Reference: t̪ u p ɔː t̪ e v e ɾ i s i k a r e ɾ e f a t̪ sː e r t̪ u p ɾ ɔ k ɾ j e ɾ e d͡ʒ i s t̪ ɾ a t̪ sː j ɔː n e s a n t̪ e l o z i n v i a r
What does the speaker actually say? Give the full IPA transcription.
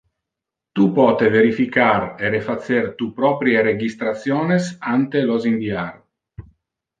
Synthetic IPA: t̪ u p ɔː t̪ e v e ɾ i f i k a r e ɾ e f a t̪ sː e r t̪ u p ɾ ɔ p ɾ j e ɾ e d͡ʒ i s t̪ ɾ a t̪ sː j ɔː n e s a n t̪ e l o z i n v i a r